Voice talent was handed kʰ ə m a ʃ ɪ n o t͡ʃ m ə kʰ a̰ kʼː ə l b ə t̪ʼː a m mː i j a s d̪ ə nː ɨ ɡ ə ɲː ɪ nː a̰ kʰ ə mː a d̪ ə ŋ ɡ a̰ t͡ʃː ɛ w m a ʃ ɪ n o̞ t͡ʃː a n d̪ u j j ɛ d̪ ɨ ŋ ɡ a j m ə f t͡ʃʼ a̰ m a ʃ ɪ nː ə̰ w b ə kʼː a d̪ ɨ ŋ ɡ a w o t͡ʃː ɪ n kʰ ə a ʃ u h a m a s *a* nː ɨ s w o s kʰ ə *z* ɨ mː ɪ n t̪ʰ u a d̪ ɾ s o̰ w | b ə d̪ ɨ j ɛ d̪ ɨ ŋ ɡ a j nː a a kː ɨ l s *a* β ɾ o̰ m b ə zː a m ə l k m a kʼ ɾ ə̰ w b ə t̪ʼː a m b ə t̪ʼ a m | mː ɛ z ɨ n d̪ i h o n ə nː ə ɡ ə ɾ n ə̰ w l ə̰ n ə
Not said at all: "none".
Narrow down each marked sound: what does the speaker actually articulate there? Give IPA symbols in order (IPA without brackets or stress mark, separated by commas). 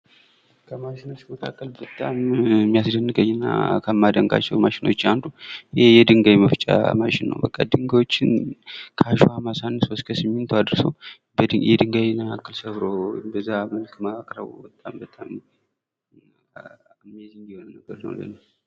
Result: a, s, ə